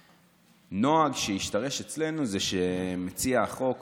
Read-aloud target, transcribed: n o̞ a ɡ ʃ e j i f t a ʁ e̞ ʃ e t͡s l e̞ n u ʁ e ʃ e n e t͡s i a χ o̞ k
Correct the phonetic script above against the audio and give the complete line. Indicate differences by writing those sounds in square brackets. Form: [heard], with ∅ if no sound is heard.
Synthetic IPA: n o̞ a ɡ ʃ e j i [ʃ] t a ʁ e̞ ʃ e t͡s l e̞ n u [z] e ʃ e [m] e t͡s i a χ o̞ k